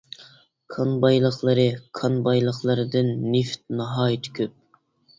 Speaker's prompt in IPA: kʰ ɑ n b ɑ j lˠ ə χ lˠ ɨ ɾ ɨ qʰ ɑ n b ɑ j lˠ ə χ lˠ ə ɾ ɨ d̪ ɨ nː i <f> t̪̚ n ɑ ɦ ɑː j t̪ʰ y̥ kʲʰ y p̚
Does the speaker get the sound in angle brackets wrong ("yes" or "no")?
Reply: no